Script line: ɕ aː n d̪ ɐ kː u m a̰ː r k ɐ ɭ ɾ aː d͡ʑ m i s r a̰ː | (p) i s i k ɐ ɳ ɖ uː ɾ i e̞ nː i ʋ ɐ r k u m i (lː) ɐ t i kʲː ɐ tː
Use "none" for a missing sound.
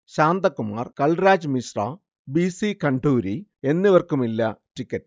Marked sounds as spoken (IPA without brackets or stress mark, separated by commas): b, lː